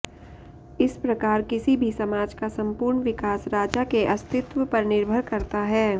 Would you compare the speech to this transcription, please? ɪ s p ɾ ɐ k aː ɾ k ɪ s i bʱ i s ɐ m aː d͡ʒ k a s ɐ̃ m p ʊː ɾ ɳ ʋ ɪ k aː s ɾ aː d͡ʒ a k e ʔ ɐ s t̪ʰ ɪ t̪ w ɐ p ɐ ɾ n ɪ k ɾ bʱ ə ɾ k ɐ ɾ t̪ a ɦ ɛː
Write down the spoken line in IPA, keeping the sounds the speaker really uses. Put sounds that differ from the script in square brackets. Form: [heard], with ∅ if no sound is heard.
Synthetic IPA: ɪ s p ɾ ɐ k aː ɾ k ɪ s i bʱ i s ɐ m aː d͡ʒ k a s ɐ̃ m p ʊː ɾ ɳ ʋ ɪ k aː s ɾ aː d͡ʒ a k e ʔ ɐ s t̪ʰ ɪ t̪ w [ə] p ɐ ɾ n ɪ [∅] ɾ bʱ ə ɾ k ɐ ɾ t̪ a ɦ ɛː